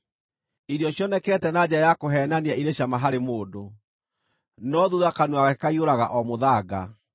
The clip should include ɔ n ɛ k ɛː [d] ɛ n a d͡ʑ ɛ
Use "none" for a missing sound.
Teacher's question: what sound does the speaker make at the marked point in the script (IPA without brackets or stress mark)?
t